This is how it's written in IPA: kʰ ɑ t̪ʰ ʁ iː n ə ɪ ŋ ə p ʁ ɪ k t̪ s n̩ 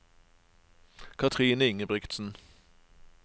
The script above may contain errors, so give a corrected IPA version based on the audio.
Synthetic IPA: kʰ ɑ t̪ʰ ʁ iː n ə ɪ ŋ ə b ʁ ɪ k t̪ s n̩